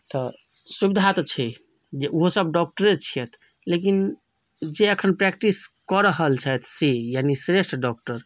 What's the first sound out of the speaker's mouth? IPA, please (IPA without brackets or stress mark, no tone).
t̪